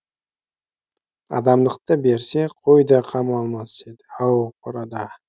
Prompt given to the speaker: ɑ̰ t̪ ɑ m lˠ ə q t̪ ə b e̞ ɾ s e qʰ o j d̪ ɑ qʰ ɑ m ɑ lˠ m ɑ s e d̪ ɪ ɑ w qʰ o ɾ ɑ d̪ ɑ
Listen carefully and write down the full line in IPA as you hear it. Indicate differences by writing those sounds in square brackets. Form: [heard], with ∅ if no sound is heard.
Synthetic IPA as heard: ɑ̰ [d̪] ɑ m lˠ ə q t̪ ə b e̞ ɾ s e qʰ o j d̪ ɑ qʰ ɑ m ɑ lˠ m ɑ s e d̪ ɪ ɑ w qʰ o ɾ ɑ d̪ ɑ